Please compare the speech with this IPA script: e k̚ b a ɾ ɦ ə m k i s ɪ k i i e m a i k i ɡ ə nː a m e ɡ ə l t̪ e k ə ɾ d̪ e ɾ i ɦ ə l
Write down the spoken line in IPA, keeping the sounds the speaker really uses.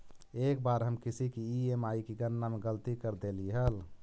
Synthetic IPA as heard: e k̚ b a ɾ ɦ ə m k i s i k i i e m a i k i ɡ ə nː a m e ɡ ə l t̪ i k ə ɾ d̪ e l i ɦ ə l